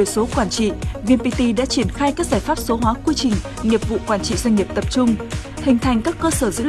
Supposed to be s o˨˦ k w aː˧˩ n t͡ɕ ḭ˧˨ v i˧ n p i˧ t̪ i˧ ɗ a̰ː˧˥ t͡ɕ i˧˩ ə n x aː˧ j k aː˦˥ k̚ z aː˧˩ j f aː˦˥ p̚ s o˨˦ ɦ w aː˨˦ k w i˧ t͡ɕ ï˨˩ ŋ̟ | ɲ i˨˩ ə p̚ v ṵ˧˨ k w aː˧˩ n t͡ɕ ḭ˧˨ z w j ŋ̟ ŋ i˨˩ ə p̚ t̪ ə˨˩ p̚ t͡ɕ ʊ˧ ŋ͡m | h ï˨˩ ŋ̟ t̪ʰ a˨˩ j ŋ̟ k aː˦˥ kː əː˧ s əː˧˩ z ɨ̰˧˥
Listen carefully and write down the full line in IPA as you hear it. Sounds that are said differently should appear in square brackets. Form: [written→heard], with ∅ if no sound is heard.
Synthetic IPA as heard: s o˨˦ k w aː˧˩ n t͡ɕ ḭ˧˨ v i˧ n p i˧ t̪ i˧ ɗ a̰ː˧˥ t͡ɕ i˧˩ ə n x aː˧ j k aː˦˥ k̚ z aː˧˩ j f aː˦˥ p̚ s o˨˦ ɦ w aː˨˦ k w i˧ t͡ɕ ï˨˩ ŋ̟ | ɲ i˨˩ ə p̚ v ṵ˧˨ k w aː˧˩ n t͡ɕ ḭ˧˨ z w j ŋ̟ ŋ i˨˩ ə p̚ t̪ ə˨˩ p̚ t͡ɕ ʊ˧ ŋ͡m | h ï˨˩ ŋ̟ t̪ʰ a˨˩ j ŋ̟ k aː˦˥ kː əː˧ s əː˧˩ z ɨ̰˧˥